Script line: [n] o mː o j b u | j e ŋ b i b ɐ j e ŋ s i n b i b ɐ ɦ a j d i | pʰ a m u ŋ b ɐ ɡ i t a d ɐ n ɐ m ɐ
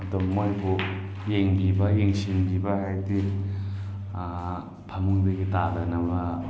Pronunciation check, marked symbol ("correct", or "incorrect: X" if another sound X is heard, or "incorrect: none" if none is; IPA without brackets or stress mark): incorrect: d